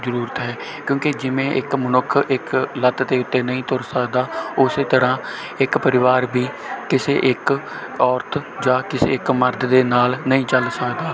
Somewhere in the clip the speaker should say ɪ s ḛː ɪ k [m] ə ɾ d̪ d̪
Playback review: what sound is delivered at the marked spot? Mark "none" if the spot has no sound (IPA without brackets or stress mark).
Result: m